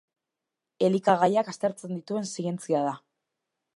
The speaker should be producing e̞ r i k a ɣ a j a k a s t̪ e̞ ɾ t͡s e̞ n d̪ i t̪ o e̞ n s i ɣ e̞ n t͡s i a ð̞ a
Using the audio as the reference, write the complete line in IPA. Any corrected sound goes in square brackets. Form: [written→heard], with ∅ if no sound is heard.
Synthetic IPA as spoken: e̞ [r→l] i k a ɣ a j a k a s t̪ e̞ ɾ t͡s e̞ n d̪ i t̪ [o→u] e̞ n s i ɣ e̞ n t͡s i a ð̞ a